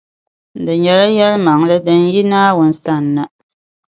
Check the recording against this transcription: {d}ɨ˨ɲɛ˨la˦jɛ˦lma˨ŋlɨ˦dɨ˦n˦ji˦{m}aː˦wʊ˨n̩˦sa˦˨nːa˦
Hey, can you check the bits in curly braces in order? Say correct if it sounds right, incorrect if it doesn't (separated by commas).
correct, incorrect